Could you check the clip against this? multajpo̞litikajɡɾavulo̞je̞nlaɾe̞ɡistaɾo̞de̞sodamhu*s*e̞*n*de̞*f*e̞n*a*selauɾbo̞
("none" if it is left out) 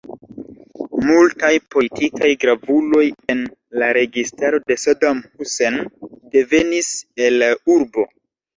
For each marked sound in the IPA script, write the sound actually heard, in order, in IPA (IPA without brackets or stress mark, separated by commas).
s, n, v, i